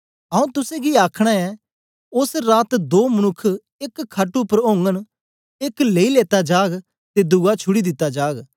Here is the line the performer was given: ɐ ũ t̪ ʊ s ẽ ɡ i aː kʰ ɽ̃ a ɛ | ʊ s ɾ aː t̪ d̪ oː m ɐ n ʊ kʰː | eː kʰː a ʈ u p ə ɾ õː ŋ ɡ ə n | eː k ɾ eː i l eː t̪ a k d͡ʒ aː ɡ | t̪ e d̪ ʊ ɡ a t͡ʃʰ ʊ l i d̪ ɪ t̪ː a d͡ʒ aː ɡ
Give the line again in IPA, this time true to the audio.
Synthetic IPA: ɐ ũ t̪ ʊ s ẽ ɡ i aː kʰ ɽ̃ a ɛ | ʊ s ɾ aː t̪ d̪ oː m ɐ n ʊ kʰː | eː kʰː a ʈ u p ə ɾ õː ŋ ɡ ə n | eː k l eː i l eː t̪ a d͡ʒ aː ɡ | t̪ e d̪ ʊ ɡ a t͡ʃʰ ʊ ɽ i d̪ ɪ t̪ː a d͡ʒ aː ɡ